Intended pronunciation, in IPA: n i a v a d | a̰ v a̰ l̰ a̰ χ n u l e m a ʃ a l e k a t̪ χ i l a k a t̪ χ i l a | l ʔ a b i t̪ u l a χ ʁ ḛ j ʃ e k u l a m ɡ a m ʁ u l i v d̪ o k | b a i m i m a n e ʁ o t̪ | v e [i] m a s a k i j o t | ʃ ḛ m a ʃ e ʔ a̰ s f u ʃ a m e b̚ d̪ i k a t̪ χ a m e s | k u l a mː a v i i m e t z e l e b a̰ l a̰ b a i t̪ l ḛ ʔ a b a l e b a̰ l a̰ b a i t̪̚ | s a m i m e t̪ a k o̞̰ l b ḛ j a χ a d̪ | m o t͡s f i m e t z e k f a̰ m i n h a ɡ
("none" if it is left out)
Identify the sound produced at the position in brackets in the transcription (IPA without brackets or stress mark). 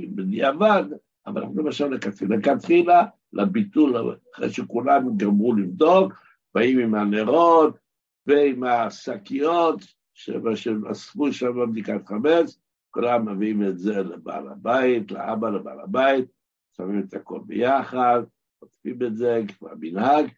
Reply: i